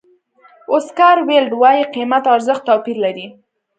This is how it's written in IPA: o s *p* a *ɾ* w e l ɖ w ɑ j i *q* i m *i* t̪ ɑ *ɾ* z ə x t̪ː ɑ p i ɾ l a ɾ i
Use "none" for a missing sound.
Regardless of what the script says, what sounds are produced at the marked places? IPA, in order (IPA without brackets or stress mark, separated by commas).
k, ɾ, q, a, ɾ